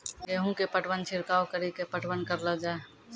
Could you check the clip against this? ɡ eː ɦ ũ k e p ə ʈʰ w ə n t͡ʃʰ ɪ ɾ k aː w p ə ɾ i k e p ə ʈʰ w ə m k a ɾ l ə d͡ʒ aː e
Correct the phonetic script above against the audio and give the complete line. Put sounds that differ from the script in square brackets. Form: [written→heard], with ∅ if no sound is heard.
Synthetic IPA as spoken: ɡ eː ɦ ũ k e p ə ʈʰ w ə n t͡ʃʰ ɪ ɾ k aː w [p→k] ə ɾ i k e p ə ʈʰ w ə [m→n] k [a→ə] ɾ l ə d͡ʒ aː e